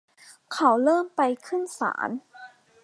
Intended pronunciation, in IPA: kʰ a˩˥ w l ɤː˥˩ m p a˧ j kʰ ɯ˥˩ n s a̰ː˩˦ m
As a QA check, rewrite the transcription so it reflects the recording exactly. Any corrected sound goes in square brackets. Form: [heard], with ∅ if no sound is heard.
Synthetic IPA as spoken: kʰ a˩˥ w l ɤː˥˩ m p a˧ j kʰ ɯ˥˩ n s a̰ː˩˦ [n]